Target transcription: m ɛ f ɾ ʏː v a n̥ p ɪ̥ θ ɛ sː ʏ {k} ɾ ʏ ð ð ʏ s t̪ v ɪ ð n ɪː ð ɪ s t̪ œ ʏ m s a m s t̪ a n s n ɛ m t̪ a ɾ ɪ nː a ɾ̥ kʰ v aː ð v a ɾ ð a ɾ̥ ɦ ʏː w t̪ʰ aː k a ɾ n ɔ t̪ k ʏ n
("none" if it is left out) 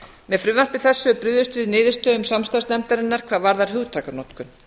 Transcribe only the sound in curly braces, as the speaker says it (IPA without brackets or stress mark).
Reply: p